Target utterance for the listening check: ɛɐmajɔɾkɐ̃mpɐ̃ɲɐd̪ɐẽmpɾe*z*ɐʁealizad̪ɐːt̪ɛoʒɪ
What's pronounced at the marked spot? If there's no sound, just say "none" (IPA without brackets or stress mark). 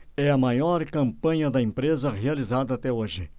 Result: z